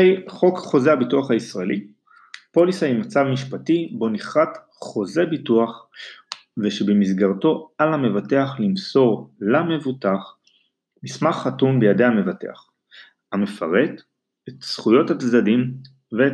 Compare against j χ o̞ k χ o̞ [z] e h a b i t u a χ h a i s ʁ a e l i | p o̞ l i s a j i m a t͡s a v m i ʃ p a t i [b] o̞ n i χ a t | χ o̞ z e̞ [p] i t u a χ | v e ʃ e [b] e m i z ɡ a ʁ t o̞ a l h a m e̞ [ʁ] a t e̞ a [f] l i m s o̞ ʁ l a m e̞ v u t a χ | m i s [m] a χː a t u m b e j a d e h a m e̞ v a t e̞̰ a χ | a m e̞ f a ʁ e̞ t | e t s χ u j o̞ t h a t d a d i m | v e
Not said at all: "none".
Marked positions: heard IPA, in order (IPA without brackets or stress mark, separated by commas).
z, b, b, b, v, χ, m